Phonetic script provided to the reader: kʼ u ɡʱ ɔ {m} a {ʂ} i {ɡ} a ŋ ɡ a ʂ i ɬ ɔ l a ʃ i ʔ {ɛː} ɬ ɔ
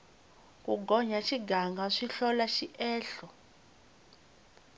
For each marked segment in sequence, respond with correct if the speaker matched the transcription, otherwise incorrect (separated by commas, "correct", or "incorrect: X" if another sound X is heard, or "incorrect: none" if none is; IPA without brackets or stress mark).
incorrect: ɲ, incorrect: ʃ, correct, correct